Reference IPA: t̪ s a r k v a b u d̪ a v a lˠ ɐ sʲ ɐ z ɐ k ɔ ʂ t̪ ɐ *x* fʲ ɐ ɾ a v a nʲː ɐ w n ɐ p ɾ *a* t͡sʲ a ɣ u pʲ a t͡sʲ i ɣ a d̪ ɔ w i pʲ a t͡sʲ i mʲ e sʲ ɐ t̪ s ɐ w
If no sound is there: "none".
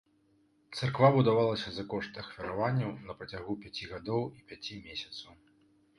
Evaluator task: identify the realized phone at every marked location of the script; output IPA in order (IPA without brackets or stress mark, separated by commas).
x, ɐ